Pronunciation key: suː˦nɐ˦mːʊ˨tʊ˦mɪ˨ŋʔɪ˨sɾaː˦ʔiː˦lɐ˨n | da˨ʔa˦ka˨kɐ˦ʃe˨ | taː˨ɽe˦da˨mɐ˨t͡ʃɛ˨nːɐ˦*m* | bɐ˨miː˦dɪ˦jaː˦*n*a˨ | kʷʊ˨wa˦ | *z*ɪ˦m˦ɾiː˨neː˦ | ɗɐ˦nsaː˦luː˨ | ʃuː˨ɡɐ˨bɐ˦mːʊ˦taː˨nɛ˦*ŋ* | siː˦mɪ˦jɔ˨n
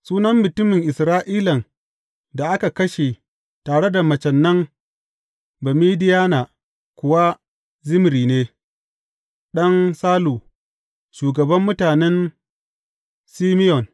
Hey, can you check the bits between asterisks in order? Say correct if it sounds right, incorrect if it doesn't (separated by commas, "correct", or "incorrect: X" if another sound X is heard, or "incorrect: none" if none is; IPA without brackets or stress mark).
incorrect: ŋ, correct, correct, incorrect: n